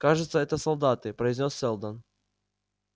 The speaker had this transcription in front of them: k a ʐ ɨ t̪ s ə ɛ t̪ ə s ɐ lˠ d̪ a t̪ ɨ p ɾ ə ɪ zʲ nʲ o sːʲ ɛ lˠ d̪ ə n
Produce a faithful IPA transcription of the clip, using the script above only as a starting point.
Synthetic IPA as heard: k a ʐ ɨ t̪ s ə ɛ t̪ ə s ɐ lˠ d̪ a t̪ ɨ p ɾ ə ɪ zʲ nʲ o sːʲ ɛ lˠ d̪ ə n